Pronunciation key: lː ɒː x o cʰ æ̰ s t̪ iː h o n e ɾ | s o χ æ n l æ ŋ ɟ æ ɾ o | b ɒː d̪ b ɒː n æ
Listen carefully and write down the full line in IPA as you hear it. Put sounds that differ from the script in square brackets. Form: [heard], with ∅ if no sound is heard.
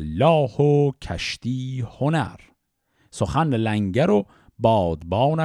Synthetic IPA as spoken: lː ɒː [h] o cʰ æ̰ [ʃ] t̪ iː h o n [æ] ɾ | s o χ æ n l æ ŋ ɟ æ ɾ o | b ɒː d̪ b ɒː n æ